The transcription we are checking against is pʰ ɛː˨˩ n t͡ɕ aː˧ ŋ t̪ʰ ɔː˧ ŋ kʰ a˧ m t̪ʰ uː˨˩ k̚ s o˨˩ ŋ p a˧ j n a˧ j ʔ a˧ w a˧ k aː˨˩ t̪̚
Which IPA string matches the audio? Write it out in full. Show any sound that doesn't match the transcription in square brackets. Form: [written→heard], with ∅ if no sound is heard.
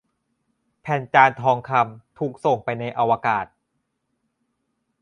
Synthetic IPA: pʰ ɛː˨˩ n t͡ɕ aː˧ [ŋ→n] t̪ʰ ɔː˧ ŋ kʰ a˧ m t̪ʰ uː˨˩ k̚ s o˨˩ ŋ p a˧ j n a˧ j ʔ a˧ w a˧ k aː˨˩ t̪̚